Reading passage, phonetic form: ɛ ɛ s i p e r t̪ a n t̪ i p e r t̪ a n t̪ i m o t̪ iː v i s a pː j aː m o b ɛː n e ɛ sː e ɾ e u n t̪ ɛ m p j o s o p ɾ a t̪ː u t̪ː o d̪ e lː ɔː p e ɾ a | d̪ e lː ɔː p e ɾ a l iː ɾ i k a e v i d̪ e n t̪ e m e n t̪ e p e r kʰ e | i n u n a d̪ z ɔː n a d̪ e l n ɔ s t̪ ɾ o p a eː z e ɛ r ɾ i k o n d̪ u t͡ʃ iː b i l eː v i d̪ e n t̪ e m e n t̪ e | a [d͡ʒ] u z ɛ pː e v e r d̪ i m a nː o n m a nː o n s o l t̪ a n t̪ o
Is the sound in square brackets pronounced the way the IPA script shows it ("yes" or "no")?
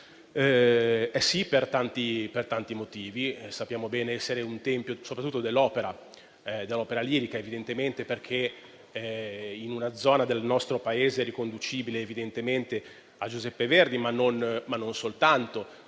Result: yes